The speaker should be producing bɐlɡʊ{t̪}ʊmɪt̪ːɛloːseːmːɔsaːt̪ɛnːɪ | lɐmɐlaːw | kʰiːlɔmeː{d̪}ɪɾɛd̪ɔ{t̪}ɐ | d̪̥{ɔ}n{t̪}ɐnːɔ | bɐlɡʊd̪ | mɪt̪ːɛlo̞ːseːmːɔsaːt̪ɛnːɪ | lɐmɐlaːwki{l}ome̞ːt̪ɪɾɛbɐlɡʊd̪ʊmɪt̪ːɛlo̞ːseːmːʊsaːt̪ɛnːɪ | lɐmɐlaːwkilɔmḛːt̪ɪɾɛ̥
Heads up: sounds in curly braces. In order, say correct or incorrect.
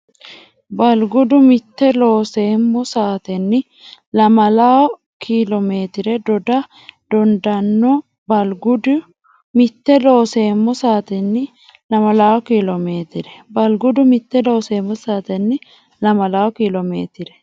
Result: incorrect: d̪, incorrect: t̪, incorrect: d̪, correct, incorrect: d̪, correct

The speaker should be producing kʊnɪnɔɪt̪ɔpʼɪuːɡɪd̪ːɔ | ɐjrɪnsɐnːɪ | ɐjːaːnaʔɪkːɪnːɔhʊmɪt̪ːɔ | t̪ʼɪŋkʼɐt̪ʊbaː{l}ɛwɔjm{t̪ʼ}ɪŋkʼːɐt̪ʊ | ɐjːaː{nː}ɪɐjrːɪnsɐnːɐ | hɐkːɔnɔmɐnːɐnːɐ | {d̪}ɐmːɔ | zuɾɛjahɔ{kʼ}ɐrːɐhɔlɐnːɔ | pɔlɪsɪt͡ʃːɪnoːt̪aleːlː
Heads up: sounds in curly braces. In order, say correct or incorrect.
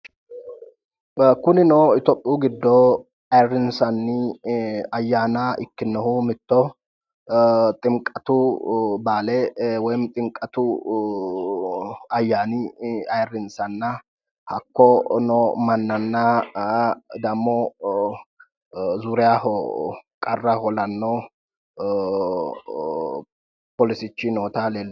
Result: correct, correct, incorrect: n, correct, correct

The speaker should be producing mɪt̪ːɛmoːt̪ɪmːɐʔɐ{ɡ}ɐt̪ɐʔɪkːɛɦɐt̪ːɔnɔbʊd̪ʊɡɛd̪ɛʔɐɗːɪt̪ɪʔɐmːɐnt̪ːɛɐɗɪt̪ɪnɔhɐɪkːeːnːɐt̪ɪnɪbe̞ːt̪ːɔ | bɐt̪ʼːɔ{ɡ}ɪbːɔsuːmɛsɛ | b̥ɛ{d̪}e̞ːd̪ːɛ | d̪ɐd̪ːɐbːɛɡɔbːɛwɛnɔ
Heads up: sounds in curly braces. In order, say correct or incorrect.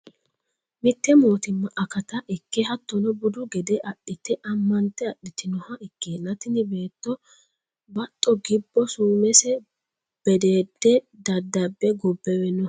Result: incorrect: k, correct, correct

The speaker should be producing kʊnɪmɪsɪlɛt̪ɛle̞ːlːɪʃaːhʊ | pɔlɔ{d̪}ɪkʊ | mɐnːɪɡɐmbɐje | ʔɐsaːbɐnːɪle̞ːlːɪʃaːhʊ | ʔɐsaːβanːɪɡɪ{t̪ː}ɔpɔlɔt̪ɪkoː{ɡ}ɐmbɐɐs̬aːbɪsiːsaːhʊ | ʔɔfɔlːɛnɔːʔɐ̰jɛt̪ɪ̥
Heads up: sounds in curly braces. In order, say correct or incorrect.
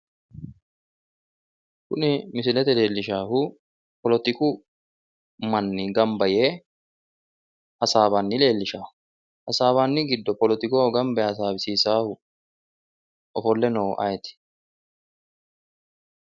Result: incorrect: t̪, incorrect: d̪ː, correct

